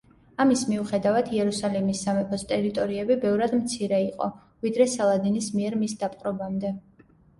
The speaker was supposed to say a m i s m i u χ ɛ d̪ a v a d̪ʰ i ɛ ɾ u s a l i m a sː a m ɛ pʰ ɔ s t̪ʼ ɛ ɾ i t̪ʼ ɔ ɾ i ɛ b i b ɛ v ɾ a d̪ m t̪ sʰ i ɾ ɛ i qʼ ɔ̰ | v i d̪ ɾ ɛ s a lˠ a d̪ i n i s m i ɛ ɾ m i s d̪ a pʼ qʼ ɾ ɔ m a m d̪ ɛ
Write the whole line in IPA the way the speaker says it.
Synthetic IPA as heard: a m i s m i u χ ɛ d̪ a v a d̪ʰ i ɛ ɾ u s a l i m i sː a m ɛ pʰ ɔ s t̪ʼ ɛ ɾ i t̪ʼ ɔ ɾ i ɛ b i b ɛ v ɾ a d̪ m t̪ sʰ i ɾ ɛ i qʼ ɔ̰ | v i d̪ ɾ ɛ s a lˠ a d̪ i n i s m i ɛ ɾ m i s d̪ a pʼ qʼ ɾ ɔ b a m d̪ ɛ